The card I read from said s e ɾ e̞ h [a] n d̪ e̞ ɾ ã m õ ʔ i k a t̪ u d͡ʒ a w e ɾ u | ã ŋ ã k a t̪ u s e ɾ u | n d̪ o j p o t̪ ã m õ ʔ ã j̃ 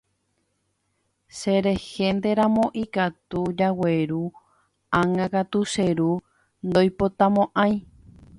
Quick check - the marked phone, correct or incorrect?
incorrect: e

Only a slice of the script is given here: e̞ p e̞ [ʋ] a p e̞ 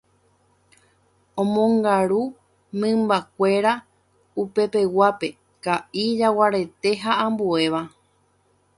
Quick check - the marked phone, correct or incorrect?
incorrect: w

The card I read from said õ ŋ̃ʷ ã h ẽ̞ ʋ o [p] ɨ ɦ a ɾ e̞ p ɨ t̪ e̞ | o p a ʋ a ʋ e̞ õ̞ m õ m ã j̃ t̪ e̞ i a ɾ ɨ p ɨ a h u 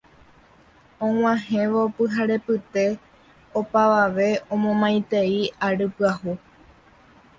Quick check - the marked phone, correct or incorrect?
correct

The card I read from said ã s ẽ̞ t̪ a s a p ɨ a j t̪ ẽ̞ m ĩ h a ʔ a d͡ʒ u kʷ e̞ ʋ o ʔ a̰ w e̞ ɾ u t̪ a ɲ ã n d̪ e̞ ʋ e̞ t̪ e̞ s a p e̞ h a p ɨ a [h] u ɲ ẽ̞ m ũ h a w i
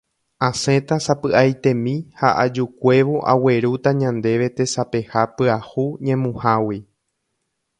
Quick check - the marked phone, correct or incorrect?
correct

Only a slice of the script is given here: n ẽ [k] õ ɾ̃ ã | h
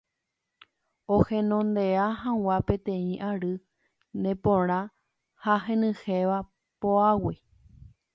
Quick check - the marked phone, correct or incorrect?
incorrect: p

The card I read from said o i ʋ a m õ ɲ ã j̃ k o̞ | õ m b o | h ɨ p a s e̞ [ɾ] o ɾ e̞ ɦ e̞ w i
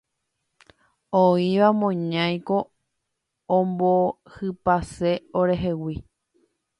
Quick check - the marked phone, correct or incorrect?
incorrect: none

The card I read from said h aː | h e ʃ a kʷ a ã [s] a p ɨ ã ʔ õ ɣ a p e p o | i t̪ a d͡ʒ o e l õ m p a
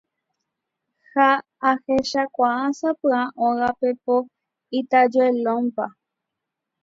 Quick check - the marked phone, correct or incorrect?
correct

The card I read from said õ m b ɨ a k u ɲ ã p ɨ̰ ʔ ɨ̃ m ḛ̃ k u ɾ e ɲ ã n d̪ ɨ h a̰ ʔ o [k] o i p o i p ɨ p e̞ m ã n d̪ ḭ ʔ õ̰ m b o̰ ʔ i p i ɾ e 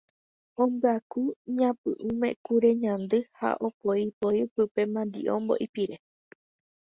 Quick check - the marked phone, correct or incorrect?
incorrect: p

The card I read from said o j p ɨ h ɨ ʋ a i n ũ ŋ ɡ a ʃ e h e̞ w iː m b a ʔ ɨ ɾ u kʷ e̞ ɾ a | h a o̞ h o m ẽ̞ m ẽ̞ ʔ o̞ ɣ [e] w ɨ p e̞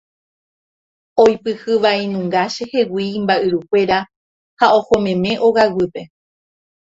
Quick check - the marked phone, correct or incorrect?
incorrect: a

